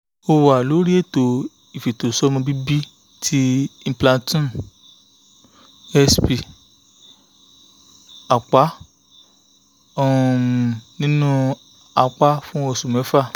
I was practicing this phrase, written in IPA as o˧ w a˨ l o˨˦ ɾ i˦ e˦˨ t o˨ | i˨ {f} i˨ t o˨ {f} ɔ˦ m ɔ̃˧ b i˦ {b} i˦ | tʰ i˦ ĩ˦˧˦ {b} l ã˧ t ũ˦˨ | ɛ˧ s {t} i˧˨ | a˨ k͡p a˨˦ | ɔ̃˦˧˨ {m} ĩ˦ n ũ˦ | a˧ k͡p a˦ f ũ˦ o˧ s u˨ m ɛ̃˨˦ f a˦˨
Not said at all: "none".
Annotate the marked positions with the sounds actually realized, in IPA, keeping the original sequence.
f, s, b, p, p, n

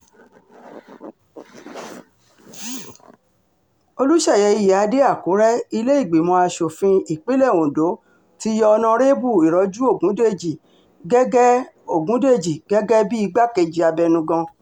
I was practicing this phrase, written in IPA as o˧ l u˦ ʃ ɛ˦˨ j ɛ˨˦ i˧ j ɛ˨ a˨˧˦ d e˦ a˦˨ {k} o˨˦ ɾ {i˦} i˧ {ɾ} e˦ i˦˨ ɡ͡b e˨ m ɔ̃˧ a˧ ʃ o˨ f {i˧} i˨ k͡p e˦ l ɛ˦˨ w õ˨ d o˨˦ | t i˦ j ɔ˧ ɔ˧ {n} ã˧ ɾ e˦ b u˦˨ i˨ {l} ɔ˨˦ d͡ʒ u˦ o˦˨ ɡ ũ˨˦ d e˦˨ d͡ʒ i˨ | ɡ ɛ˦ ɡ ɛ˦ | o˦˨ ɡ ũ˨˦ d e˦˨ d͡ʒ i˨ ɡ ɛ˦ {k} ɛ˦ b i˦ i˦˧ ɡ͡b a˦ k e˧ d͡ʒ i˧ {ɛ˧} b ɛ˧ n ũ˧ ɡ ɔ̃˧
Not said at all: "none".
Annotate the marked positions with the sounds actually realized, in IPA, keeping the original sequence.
k, ɛ˦, l, ĩ˧, n, ɾ, ɡ, a˧

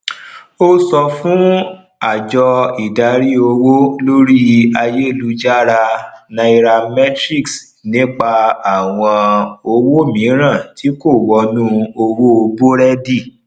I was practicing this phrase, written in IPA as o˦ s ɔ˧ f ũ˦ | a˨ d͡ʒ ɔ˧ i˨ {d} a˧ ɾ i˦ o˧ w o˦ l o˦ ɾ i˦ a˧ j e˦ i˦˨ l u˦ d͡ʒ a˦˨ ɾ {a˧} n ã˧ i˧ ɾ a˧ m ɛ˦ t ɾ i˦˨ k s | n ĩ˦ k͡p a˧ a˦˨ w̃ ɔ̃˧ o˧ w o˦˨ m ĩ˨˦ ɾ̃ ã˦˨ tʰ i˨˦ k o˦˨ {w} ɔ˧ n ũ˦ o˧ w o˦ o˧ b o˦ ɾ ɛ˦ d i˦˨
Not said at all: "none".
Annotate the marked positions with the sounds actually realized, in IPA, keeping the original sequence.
d, a˧, w

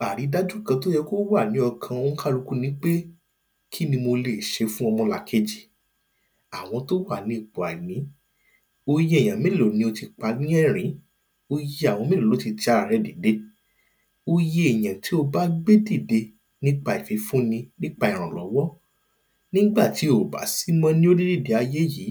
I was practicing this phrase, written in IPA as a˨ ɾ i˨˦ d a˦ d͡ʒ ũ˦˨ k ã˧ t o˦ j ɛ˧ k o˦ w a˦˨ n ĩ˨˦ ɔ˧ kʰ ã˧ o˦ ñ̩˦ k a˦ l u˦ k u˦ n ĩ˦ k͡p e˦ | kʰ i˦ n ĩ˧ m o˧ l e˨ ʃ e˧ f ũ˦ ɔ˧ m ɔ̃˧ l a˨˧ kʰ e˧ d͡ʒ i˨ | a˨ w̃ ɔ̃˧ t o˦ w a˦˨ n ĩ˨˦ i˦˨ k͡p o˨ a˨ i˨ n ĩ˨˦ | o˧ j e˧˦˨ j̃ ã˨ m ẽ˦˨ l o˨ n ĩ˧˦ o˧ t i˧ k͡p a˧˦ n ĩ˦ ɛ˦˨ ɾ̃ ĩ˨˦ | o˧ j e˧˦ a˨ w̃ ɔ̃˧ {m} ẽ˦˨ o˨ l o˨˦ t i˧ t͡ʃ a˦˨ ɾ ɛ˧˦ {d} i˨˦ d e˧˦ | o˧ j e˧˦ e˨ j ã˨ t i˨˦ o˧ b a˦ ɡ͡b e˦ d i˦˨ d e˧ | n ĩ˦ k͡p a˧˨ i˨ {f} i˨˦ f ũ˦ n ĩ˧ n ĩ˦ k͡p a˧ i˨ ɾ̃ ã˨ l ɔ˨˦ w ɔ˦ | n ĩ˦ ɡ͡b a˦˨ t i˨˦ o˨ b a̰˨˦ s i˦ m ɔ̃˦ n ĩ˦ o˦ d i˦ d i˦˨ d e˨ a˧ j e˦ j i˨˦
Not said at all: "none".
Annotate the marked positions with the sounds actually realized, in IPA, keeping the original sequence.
m, d, f

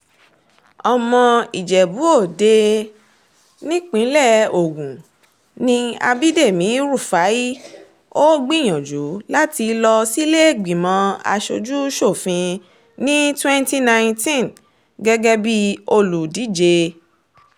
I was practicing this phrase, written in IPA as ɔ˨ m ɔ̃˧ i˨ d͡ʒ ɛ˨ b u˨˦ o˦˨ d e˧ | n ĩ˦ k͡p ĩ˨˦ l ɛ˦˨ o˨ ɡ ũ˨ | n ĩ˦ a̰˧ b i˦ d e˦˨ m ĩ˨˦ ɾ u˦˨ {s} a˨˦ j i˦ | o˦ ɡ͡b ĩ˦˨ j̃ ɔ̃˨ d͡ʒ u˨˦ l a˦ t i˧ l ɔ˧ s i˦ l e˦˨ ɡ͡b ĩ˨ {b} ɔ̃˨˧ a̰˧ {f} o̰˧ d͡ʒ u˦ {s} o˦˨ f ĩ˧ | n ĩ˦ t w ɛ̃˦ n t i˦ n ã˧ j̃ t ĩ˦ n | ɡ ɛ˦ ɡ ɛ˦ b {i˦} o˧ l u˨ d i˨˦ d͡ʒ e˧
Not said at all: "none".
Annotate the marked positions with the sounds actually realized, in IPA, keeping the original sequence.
f, m, ʃ, ʃ, i˦

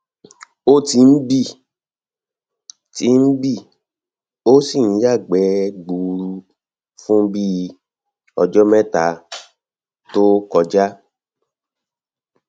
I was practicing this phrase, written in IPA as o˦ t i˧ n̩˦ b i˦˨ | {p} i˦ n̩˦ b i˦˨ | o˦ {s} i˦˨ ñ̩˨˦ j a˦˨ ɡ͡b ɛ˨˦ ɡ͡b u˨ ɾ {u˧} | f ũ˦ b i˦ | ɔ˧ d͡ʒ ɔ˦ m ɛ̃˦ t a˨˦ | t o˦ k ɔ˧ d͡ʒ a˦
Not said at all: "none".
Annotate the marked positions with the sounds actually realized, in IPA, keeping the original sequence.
t, s, u˧

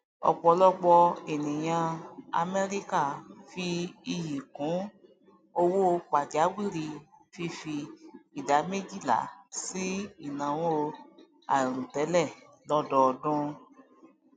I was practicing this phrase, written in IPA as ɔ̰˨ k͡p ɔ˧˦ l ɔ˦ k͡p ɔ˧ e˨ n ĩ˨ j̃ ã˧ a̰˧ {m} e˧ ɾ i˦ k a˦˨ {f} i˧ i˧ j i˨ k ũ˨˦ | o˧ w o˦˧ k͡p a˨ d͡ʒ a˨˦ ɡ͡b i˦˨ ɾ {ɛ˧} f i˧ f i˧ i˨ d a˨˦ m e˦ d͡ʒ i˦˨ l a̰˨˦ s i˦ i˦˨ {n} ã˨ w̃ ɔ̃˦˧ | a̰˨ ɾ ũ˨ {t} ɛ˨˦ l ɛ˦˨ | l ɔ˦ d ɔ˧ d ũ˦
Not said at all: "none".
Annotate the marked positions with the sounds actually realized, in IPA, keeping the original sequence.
m, f, i˧, n, t

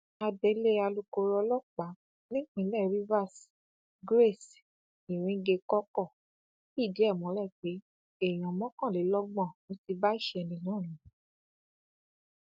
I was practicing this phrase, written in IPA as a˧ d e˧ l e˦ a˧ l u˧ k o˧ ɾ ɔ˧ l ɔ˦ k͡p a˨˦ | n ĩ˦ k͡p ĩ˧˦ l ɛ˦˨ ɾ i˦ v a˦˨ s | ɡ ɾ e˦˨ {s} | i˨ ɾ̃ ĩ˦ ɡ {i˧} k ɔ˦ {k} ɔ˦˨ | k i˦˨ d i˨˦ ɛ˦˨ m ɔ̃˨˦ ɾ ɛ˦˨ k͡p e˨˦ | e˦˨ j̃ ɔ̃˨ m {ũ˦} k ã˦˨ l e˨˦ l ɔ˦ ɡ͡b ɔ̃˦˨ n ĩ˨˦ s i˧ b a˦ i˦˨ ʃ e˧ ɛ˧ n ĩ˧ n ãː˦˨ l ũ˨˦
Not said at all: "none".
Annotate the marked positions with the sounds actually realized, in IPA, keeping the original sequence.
s, e˧, k, ɔ̃˦

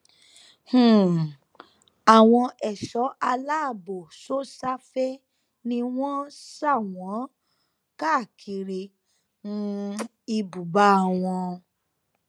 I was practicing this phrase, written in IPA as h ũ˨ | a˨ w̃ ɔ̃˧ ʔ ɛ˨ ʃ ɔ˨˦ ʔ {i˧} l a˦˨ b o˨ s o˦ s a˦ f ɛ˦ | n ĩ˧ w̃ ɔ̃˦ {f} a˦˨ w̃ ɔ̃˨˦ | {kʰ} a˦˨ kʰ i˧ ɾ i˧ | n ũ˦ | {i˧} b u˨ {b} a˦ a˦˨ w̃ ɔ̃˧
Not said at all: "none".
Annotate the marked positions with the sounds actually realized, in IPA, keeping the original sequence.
a˧, s, k, i˧, b

